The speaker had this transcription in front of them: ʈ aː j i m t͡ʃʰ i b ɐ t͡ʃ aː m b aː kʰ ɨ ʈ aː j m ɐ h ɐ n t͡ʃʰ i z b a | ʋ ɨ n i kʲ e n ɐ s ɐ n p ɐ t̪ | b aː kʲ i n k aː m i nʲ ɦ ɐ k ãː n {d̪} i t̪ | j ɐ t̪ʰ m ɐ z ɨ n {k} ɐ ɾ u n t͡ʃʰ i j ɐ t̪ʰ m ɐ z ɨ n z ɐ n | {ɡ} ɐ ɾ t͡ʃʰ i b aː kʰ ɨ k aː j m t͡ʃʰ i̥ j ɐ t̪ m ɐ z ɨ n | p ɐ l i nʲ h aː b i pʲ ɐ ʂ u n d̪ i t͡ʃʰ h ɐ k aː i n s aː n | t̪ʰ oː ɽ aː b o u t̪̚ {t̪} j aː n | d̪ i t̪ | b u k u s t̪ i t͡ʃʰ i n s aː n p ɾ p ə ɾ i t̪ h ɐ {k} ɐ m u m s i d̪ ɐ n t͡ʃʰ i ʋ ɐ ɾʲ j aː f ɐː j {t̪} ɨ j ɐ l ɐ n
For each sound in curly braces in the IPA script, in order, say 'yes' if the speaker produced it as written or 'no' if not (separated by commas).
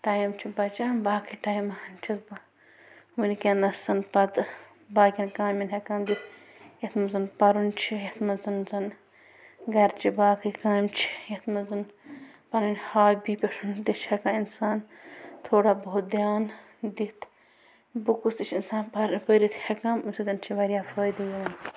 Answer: yes, no, yes, no, yes, no